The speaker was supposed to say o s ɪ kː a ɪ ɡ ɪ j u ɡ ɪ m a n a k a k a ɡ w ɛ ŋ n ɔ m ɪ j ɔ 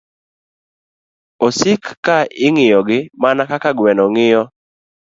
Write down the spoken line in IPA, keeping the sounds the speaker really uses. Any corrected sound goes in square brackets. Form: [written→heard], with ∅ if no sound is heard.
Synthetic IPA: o s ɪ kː a ɪ [ɡ→ŋ] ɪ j [u→ɔ] ɡ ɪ m a n a k a k a ɡ w ɛ [ŋ→∅] n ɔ [m→ŋ] ɪ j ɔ